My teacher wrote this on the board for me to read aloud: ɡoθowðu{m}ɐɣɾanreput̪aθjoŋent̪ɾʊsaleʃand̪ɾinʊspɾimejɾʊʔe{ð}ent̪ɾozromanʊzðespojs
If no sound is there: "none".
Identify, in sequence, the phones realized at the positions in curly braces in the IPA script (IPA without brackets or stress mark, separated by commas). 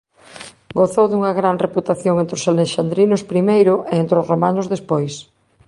ŋ, none